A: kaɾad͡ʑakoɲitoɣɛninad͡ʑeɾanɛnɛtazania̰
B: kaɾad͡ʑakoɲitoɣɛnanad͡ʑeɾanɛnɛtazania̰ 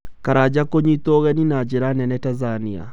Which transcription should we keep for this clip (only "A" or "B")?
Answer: A